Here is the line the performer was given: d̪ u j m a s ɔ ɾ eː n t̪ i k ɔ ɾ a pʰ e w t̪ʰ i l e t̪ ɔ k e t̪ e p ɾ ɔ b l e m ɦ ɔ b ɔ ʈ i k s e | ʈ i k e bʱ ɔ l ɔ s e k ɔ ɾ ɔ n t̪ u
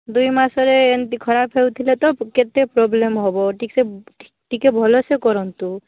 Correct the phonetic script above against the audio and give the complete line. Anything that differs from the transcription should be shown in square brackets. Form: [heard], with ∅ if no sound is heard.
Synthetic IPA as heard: d̪ u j m a s ɔ ɾ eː n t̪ i [kʰ] ɔ ɾ a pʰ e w t̪ʰ i l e t̪ ɔ k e t̪ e p ɾ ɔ b l e m ɦ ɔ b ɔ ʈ i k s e | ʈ i k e bʱ ɔ l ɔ s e k ɔ ɾ ɔ n t̪ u